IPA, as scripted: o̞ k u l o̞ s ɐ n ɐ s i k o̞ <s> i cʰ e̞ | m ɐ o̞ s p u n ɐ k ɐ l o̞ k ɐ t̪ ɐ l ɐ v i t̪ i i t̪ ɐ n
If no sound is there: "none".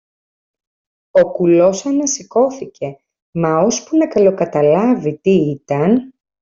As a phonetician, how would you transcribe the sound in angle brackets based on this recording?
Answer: θ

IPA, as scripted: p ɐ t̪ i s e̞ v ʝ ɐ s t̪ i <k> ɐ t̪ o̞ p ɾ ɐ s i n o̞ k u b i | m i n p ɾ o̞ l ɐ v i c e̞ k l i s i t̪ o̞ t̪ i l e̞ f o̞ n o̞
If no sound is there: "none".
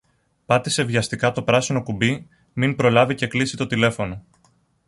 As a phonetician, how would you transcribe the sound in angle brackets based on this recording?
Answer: k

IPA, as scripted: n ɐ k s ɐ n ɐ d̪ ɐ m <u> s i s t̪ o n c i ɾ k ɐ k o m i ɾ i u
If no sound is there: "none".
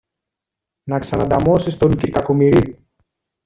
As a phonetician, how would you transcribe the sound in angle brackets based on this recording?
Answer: o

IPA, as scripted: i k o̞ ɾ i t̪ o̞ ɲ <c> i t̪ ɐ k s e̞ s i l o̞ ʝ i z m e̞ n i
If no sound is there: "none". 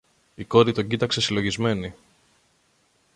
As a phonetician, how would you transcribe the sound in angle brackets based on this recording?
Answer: ɟ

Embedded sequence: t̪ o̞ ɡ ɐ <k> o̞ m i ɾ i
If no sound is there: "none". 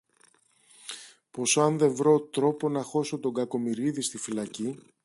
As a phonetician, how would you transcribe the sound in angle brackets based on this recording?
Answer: k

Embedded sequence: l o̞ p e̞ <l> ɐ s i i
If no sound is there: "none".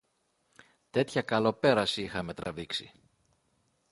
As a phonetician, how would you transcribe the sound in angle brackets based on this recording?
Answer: ɾ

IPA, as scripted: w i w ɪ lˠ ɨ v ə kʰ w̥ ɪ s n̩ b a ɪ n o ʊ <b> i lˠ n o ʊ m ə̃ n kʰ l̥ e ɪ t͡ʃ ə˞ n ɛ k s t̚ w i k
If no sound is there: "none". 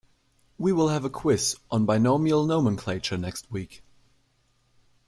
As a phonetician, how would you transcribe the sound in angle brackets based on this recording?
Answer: m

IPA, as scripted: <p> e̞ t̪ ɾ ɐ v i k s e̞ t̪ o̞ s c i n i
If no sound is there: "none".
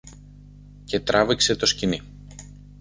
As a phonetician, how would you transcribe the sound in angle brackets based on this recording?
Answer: c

